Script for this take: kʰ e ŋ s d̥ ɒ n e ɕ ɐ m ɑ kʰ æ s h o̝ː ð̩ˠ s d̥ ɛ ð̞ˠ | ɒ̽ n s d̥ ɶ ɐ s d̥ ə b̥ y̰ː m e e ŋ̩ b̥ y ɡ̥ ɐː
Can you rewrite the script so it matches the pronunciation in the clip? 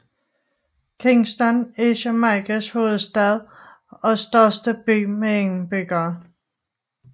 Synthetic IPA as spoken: kʰ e ŋ s d̥ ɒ n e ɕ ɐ m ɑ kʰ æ s h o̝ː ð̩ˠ s d̥ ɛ ð̞ˠ | ɒ̽ s d̥ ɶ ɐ s d̥ ə b̥ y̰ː m e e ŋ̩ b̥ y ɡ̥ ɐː